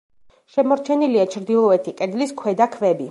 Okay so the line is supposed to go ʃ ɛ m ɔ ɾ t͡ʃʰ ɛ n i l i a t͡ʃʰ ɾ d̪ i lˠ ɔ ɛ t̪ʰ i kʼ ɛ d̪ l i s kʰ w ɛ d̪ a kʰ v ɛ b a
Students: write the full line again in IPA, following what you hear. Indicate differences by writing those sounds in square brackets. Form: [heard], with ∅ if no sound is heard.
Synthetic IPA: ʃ ɛ m ɔ ɾ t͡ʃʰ ɛ n i l i a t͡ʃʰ ɾ d̪ i lˠ ɔ ɛ t̪ʰ i kʼ ɛ d̪ l i s kʰ w ɛ d̪ a kʰ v ɛ b [i]